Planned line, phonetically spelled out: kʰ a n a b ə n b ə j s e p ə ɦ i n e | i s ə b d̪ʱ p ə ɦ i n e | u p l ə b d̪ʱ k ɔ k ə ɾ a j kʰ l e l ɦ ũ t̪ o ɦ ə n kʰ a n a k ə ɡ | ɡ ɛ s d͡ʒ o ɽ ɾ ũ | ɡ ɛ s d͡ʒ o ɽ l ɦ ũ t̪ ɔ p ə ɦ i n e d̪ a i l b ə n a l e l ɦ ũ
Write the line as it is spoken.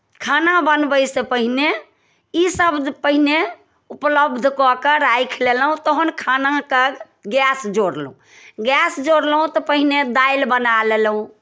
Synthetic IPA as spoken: kʰ a n a b ə n b ə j s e p ə ɦ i n e | i s ə b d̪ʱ p ə ɦ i n e | u p l ə b d̪ʱ k ɔ k ə ɾ a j kʰ l e l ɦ ũ t̪ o ɦ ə n kʰ a n a k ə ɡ | ɡ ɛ s d͡ʒ o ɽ l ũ | ɡ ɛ s d͡ʒ o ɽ l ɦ ũ t̪ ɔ p ə ɦ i n e d̪ a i l b ə n a l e l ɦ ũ